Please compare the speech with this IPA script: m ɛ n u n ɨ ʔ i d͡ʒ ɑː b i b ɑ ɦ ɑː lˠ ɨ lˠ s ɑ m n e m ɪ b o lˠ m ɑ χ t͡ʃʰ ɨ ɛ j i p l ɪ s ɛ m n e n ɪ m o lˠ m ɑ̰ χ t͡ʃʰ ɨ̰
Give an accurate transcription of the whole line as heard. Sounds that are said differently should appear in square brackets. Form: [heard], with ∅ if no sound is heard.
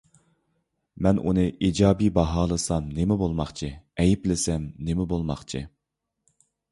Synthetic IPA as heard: m ɛ n u n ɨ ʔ i d͡ʒ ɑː b i b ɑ ɦ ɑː lˠ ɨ [∅] s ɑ m n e m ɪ b o lˠ m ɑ χ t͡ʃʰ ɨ ɛ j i p l ɪ s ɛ m n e [m] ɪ [b] o lˠ m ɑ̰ χ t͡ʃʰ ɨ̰